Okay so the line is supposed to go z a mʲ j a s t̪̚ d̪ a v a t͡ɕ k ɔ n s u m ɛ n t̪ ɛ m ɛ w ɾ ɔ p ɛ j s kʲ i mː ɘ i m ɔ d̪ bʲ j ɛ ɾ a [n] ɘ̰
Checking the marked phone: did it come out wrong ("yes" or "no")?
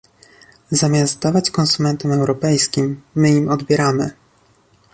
yes